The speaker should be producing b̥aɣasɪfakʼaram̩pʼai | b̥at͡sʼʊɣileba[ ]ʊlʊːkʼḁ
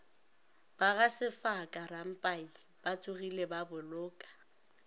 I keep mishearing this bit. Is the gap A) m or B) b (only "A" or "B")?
B